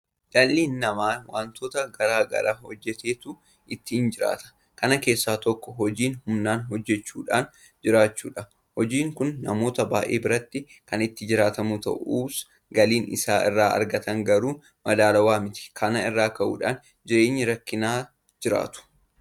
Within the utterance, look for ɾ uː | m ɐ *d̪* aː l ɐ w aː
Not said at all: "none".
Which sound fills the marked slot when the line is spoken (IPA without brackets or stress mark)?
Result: d̪